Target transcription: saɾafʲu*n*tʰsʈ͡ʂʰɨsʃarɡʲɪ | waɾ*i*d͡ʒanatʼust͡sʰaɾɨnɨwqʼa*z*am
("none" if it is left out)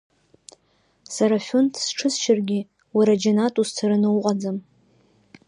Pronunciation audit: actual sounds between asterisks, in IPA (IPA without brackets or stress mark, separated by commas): n, a, d͡z